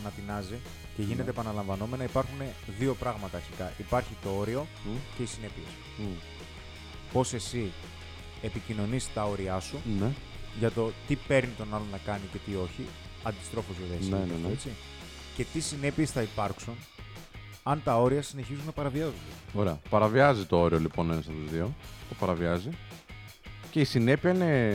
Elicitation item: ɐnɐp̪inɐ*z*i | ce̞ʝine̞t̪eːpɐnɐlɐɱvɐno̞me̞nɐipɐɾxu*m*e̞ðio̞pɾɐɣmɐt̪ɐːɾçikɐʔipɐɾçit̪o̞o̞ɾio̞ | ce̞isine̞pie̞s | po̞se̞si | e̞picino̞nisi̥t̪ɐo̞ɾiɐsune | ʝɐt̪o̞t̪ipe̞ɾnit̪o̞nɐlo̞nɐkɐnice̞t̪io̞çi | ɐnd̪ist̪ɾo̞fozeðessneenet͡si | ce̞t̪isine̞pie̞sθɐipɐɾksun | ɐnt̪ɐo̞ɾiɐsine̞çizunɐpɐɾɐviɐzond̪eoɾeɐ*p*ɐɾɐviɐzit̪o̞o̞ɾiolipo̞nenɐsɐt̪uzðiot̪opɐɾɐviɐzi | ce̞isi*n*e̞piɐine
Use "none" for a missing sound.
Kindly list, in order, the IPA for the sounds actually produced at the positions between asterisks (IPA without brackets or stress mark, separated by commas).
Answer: z, n, p, n